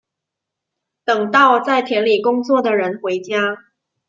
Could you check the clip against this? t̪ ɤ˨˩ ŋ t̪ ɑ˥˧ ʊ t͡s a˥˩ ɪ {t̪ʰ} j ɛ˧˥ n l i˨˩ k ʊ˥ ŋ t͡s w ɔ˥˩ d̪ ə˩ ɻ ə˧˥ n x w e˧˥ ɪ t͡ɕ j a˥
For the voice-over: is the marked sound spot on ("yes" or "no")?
yes